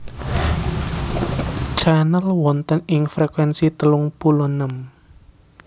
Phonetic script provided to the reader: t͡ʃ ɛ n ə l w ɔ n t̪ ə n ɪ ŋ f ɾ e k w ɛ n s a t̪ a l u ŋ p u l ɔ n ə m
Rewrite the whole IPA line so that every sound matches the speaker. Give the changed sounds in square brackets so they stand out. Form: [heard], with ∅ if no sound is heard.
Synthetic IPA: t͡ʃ [a] n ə l w ɔ n t̪ ə n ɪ ŋ f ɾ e k w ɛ n s [i] t̪ [ə] l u ŋ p u l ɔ n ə m